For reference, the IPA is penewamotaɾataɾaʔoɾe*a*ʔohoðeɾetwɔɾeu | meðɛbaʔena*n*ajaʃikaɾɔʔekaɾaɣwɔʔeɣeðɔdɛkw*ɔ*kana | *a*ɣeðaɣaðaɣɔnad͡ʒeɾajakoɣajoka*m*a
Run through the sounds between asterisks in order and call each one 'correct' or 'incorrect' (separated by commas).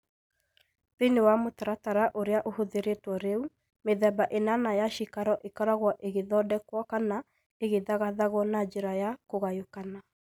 correct, correct, correct, incorrect, incorrect